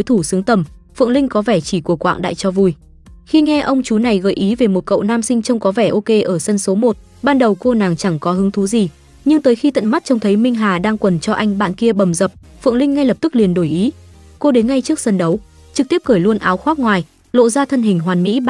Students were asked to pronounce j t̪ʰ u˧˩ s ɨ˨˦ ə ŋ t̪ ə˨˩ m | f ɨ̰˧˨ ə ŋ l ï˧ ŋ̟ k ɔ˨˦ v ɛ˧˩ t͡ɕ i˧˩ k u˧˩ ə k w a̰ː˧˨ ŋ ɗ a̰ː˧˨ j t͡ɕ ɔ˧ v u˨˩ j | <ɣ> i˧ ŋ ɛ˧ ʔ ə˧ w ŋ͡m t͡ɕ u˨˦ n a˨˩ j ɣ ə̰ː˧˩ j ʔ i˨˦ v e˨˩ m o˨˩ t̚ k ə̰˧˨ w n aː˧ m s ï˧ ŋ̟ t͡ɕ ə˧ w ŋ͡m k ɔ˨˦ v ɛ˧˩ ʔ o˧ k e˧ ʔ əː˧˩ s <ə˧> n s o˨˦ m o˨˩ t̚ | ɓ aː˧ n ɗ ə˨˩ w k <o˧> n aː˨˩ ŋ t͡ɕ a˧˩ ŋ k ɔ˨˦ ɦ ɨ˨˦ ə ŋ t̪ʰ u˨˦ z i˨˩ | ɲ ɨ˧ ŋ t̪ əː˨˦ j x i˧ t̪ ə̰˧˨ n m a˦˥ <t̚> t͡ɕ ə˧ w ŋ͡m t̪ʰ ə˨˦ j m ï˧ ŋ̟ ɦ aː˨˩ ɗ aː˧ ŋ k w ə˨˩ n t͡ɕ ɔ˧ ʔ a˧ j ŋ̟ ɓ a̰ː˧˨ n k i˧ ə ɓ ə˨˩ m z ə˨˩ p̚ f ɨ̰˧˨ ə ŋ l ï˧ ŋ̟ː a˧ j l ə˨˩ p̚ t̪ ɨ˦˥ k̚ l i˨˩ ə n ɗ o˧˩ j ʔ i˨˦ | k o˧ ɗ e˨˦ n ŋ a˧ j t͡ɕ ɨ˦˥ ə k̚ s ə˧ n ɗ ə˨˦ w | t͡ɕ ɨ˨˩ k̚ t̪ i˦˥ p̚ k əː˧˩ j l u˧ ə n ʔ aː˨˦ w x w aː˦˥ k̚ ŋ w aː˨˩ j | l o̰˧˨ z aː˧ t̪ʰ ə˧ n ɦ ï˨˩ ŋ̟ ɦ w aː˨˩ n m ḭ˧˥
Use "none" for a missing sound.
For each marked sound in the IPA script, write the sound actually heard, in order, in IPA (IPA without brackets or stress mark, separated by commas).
x, ə˧, o˧, t̚